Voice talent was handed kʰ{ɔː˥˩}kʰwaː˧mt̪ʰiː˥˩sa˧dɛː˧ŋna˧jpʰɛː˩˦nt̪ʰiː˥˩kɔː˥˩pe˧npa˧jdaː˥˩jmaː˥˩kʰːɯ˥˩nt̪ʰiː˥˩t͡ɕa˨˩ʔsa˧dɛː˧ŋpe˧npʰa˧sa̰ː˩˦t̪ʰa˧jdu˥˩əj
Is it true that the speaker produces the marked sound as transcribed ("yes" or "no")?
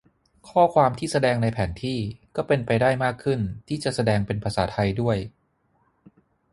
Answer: yes